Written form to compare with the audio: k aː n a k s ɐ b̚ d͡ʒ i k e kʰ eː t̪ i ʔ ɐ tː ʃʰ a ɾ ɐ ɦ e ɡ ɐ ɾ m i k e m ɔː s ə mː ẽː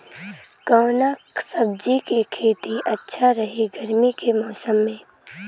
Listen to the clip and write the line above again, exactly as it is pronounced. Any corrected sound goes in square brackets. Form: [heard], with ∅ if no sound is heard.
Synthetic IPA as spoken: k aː n a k s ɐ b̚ d͡ʒ i k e kʰ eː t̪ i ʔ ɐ tː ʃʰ a ɾ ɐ ɦ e ɡ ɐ ɾ m i k e m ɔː s ə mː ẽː

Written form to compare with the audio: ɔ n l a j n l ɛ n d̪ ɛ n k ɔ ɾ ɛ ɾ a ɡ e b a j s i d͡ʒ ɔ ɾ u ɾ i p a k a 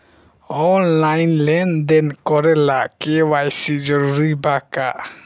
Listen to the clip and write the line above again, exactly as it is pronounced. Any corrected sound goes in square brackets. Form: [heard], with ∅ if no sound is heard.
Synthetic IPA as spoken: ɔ n l a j n l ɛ n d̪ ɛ n k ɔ ɾ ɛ [l] a [k] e [w] a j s i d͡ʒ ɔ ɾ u ɾ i [b] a k a

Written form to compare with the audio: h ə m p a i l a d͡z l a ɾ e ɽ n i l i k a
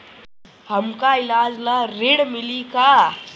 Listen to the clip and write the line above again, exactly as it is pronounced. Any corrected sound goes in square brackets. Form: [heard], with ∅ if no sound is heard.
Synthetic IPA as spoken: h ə m [k] a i l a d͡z l a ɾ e ɽ [m] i l i k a

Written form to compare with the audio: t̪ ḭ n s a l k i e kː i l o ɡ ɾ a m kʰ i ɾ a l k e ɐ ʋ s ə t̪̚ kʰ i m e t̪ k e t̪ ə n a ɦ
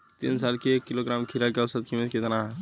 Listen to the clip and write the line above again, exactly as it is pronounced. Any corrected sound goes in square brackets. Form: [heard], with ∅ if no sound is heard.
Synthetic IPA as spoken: t̪ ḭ n s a l k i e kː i l o ɡ ɾ a m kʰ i ɾ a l k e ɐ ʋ s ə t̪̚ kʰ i m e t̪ k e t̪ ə n a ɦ

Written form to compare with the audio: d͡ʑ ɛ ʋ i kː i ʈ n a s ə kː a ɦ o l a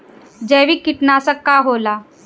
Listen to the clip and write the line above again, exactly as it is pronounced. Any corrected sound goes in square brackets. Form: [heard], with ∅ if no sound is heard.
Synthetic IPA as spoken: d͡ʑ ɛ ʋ i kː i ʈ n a s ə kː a ɦ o l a

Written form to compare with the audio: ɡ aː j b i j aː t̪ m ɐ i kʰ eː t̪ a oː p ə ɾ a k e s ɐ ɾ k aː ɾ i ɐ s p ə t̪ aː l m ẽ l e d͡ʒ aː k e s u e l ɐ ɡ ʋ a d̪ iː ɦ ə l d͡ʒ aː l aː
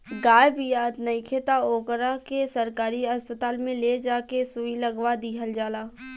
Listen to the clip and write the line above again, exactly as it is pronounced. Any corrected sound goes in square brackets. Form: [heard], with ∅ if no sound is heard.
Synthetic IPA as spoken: ɡ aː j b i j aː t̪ [n] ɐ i kʰ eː t̪ a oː [k] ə ɾ a k e s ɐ ɾ k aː ɾ i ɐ s p ə t̪ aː l m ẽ l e d͡ʒ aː k e s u [i] l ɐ ɡ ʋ a d̪ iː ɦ ə l d͡ʒ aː l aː

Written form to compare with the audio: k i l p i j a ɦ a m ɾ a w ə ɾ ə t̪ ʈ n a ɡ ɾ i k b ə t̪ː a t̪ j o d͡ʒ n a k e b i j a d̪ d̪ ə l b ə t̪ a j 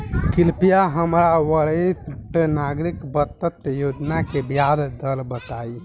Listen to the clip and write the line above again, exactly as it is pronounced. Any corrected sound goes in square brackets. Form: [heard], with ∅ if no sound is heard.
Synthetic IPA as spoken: k i l p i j a ɦ [ə] m ɾ a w ə ɾ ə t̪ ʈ n a ɡ ɾ i k b ə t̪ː [ə] t̪ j o d͡ʒ n a k e b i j a d̪ d̪ ə l b ə t̪ a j

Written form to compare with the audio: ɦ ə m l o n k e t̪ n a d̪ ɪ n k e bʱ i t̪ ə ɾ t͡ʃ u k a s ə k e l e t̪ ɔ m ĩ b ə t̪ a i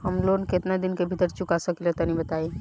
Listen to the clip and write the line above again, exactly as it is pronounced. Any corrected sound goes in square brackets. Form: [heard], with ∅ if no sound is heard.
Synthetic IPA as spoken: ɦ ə m l o n k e t̪ n a d̪ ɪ n k e bʱ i t̪ ə ɾ t͡ʃ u k a s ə k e l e t̪ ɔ [n] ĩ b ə t̪ a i

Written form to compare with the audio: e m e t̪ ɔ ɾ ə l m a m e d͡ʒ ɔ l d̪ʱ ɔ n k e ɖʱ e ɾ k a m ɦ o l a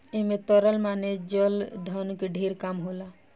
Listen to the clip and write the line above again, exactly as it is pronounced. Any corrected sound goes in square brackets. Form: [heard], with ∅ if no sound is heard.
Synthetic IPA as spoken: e m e t̪ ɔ ɾ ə l m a [n] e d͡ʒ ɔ l d̪ʱ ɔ n k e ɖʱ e ɾ k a m ɦ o l a

